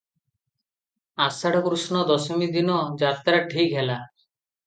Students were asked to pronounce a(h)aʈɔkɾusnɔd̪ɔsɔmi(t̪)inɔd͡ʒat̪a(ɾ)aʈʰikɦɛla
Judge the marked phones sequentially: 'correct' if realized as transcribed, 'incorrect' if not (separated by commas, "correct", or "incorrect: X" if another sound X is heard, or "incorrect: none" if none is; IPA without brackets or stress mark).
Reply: incorrect: s, incorrect: d̪, correct